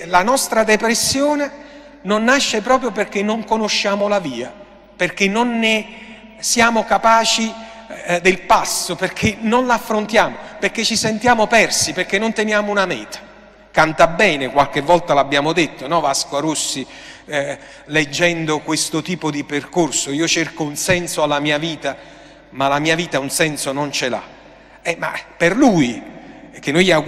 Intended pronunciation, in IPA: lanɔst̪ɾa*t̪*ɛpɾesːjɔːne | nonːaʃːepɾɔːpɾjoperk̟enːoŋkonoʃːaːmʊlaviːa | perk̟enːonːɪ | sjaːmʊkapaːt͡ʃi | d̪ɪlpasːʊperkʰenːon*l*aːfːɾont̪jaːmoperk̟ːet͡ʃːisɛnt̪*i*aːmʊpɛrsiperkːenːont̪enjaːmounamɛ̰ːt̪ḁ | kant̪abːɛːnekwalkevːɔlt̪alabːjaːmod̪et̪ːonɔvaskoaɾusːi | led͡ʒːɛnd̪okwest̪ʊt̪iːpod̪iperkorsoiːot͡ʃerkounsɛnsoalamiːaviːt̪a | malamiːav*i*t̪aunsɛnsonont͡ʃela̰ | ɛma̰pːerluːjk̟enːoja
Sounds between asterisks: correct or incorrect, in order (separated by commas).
incorrect, correct, incorrect, incorrect